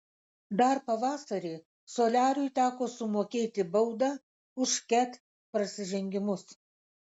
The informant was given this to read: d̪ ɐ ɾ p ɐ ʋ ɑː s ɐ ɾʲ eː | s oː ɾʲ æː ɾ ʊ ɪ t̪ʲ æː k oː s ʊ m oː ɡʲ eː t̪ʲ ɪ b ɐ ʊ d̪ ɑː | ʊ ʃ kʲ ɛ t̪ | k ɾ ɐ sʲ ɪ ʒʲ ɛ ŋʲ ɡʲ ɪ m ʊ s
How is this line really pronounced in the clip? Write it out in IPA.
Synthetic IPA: d̪ ɐ ɾ p ɐ ʋ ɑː s ɐ ɾʲ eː | s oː lʲ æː ɾ ʊ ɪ t̪ʲ æː k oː s ʊ m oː kʲ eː t̪ʲ ɪ b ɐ ʊ d̪ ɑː | ʊ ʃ kʲ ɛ t̪ | p ɾ ɐ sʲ ɪ ʒʲ ɛ ŋʲ ɡʲ ɪ m ʊ s